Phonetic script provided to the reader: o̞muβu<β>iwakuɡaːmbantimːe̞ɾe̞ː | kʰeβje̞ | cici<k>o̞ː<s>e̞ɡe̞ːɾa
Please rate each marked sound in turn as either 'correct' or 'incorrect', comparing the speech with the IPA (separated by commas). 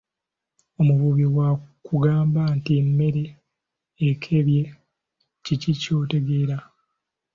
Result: correct, incorrect, incorrect